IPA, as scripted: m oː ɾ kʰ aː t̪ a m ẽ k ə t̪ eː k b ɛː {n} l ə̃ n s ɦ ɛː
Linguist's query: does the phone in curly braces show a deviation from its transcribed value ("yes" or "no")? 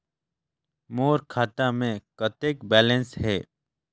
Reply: yes